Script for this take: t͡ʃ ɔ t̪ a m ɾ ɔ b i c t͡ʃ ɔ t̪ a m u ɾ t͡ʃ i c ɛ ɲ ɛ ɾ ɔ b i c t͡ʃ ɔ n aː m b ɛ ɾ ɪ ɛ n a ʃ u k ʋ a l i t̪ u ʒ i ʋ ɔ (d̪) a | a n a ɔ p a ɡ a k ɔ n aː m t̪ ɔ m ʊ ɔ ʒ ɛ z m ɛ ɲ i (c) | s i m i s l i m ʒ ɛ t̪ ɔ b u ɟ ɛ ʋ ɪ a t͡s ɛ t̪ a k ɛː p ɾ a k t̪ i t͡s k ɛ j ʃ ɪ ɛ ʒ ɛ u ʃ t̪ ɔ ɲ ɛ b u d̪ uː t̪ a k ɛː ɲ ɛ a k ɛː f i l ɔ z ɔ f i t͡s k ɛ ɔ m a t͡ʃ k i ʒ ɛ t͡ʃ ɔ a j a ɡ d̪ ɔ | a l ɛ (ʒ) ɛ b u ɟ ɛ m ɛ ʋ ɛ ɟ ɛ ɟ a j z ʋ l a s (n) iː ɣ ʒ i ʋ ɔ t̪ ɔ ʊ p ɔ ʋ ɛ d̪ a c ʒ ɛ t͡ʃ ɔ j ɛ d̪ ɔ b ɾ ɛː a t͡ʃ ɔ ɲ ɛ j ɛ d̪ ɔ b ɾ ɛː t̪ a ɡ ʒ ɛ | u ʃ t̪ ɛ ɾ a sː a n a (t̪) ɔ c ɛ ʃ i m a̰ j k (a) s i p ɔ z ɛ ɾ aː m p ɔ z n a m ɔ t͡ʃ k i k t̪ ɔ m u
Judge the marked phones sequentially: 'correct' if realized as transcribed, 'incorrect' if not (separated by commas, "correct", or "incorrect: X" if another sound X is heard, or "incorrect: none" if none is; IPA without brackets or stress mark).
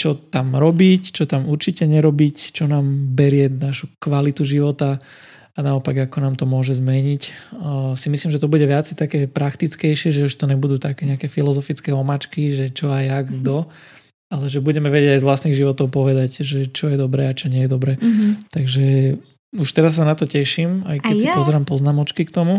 incorrect: t̪, correct, correct, correct, correct, incorrect: ɛ